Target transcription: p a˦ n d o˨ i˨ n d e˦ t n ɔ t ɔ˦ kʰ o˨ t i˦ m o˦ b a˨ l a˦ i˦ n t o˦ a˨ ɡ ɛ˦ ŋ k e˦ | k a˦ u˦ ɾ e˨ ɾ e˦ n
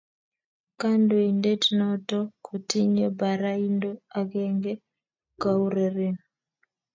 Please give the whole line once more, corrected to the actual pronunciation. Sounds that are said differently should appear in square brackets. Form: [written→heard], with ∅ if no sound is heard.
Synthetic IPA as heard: [p→k] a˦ n d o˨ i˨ n d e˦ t n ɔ t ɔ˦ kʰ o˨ t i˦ [m→ɲ] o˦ b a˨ [l→ɾ] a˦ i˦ n [t→d] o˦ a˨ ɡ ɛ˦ ŋ [k→ɡ] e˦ | k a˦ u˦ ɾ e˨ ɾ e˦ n